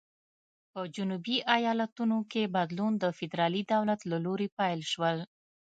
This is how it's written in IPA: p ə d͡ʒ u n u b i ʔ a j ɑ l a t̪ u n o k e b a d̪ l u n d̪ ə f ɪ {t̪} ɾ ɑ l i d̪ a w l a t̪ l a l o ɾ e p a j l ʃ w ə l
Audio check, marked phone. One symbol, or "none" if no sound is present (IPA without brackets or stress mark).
d̪